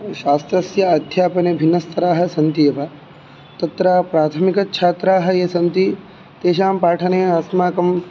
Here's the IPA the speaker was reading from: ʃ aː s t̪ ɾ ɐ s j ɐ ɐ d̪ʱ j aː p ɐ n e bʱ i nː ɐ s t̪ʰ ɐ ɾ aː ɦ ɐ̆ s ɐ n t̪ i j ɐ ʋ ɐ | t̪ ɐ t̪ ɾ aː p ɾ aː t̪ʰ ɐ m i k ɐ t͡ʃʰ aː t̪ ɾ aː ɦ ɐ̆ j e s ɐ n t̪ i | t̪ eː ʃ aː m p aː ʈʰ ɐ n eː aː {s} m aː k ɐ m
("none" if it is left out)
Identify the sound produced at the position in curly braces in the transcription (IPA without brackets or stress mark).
s